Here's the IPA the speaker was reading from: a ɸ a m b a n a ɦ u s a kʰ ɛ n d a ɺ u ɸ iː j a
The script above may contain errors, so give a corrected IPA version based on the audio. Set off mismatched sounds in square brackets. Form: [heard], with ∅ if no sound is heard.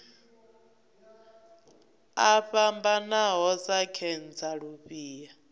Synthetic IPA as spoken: a ɸ a m b a n a ɦ [ɔ] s a kʰ ɛ n [d͡z] a ɺ u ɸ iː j a